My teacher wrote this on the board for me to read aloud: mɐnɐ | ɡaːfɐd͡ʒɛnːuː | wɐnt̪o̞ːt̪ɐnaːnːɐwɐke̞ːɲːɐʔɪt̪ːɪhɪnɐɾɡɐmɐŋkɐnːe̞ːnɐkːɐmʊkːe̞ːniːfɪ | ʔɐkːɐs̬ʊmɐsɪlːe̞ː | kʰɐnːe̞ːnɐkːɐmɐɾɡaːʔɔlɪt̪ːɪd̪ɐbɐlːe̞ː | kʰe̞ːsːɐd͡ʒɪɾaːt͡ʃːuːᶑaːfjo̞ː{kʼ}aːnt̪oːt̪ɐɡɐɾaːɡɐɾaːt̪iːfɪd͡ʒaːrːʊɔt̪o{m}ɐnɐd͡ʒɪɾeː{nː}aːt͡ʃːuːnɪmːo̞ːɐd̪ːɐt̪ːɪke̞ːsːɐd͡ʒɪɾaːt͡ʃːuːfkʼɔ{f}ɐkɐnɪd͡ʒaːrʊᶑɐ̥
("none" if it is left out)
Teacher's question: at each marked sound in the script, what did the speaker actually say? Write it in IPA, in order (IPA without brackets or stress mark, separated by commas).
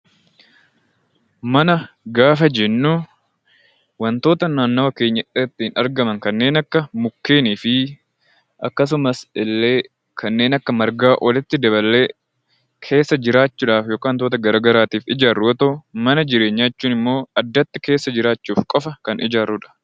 k, m, ɲː, f